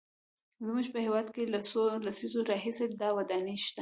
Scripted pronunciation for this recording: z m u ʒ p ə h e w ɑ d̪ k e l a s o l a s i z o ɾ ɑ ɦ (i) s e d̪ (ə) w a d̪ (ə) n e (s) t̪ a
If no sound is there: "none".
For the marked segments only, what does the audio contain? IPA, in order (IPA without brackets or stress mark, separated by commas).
i, ɑ, ɑ, ʃ